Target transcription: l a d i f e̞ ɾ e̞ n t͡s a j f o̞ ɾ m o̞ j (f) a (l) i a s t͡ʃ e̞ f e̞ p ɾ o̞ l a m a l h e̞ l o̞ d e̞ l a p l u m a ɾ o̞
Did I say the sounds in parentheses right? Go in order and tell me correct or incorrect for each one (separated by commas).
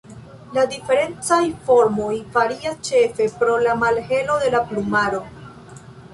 correct, incorrect